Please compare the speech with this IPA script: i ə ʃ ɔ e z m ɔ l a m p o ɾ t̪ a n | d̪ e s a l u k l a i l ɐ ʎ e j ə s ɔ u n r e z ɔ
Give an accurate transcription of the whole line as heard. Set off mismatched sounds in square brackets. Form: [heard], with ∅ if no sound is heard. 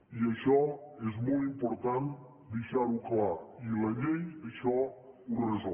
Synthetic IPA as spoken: i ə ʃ ɔ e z m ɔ l [i] m p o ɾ t̪ a n | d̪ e [ʃ] a [ɾ] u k l a i l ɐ ʎ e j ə [ʃ] ɔ u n r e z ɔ